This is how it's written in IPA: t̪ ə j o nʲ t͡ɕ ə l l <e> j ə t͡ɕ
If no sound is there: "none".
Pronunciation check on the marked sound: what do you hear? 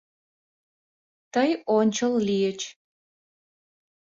i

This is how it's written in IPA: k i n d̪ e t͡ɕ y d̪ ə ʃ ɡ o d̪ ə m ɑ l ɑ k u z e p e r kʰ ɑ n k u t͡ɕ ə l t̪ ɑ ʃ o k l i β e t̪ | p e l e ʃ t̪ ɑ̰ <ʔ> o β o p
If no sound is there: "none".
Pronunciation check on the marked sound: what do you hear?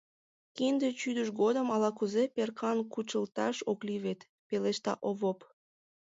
ʔ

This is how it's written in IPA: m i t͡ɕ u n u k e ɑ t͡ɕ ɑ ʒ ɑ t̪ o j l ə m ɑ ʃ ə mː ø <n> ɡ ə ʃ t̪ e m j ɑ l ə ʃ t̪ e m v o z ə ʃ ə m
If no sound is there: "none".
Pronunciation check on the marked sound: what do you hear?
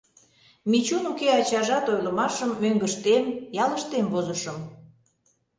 ŋ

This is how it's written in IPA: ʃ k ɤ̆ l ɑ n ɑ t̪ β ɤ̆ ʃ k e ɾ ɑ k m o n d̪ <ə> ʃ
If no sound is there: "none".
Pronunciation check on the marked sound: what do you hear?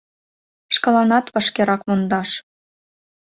ɑ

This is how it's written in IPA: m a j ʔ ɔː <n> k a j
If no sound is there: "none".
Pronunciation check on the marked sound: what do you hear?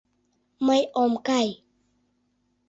m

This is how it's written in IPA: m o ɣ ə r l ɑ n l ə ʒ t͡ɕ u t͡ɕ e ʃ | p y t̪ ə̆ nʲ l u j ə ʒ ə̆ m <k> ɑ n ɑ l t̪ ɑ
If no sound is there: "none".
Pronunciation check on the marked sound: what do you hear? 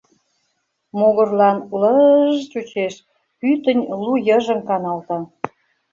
k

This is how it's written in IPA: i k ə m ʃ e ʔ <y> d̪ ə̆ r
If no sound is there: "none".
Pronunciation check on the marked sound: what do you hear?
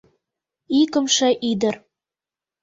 i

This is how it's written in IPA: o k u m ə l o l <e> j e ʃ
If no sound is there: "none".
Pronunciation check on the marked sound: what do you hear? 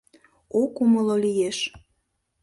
i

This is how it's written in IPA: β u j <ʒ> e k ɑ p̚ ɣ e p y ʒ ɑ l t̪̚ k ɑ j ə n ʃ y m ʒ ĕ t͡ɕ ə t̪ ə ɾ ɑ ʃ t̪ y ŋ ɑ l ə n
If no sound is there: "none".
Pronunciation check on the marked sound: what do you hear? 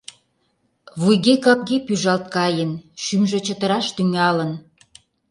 ɣ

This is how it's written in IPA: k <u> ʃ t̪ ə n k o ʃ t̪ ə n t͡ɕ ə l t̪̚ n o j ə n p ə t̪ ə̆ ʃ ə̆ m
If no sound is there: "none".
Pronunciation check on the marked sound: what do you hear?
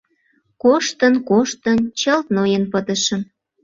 o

